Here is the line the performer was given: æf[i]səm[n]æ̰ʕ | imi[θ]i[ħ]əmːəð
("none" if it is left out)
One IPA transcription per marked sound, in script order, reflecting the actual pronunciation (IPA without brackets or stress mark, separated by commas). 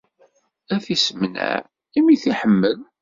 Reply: i, n, θ, ħ